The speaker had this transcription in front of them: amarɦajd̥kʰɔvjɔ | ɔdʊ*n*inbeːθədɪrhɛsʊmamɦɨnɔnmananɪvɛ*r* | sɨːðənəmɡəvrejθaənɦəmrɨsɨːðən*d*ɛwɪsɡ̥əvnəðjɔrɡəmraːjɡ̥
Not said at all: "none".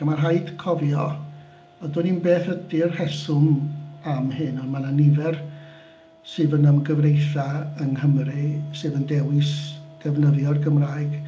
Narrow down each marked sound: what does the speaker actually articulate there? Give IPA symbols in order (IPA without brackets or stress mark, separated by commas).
n, r, d